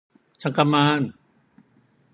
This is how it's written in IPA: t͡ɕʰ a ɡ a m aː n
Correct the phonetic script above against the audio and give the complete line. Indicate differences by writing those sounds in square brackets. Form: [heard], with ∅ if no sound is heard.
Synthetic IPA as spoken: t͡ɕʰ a [k] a m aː n